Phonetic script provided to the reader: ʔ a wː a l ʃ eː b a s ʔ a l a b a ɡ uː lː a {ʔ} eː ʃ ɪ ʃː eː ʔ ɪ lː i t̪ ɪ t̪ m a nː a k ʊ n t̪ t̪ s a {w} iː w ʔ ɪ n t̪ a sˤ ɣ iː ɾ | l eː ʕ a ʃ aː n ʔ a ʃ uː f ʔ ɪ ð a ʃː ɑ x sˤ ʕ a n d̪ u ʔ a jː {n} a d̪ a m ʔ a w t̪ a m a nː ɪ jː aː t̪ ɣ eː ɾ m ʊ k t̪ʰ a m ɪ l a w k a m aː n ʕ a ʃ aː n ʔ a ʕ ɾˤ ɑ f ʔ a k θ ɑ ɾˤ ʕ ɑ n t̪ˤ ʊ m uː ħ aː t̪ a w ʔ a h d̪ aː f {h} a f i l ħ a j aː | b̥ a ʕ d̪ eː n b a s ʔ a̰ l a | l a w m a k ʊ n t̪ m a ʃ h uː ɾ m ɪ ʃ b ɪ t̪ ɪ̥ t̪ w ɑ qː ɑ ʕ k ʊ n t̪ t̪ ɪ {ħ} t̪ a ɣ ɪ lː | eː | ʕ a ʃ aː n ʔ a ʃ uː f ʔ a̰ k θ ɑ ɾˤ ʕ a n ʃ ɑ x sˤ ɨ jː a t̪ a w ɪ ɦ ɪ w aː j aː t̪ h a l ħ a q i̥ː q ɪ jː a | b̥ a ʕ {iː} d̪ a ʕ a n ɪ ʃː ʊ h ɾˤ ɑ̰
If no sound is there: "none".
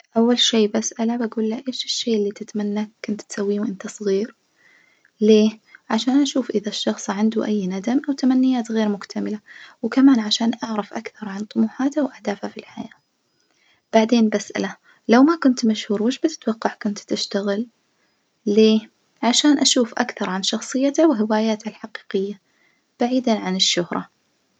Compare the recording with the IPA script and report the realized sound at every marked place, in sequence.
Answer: ʔ, wː, n, h, ʃ, iː

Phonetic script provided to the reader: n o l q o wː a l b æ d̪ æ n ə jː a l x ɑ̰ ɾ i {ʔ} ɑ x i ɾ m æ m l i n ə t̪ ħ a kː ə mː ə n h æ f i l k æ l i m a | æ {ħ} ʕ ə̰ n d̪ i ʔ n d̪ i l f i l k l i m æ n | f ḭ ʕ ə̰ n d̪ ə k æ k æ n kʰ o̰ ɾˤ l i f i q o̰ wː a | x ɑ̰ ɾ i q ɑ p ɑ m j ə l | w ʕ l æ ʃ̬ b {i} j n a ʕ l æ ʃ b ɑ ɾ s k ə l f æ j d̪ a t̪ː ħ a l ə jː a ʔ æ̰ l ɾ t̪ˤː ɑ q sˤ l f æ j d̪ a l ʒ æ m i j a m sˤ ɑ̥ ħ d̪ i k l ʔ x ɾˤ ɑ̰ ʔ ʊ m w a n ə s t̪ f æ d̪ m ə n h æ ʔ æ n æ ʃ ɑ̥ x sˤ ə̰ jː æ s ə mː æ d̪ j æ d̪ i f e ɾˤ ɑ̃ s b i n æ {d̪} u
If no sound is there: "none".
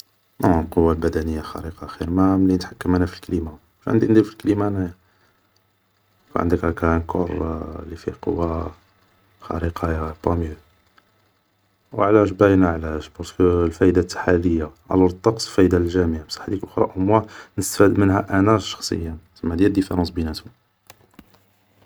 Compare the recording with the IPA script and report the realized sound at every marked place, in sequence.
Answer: q, ʃ, æ, t̪

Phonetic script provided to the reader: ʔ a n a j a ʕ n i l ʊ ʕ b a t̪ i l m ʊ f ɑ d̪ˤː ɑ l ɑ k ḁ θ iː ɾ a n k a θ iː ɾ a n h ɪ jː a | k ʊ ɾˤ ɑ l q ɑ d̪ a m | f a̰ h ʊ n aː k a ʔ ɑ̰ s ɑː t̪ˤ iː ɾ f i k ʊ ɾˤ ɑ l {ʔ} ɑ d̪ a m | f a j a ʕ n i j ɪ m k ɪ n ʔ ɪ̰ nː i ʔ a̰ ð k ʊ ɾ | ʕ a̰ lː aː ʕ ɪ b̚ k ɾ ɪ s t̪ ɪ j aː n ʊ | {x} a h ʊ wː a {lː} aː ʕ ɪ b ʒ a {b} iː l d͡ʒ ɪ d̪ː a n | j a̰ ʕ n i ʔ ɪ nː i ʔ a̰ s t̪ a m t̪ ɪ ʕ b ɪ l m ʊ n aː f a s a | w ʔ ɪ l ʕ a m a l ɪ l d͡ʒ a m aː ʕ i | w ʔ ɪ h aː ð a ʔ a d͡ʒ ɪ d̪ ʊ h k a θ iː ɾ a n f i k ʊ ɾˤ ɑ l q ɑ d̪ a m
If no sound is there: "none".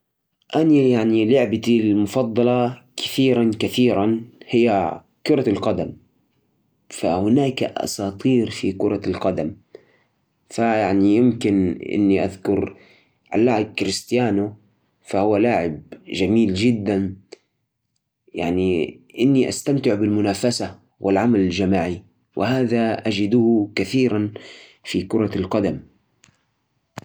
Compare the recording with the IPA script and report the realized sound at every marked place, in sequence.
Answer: q, f, l, m

